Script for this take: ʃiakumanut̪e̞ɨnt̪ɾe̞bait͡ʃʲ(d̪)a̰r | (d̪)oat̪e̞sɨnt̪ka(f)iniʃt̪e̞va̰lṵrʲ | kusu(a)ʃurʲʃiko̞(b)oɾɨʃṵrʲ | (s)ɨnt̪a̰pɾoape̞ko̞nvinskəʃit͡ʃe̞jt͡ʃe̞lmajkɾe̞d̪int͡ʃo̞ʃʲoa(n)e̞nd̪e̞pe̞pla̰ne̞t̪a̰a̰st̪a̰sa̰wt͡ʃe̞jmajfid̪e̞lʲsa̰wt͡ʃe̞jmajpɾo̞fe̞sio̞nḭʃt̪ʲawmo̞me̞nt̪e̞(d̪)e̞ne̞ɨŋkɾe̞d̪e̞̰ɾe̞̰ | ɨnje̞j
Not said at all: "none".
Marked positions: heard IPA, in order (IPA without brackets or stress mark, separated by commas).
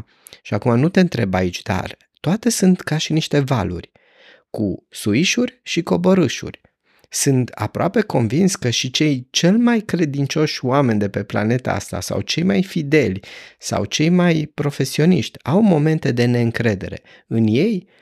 d̪, t̪, ʃ, i, b, s, m, d̪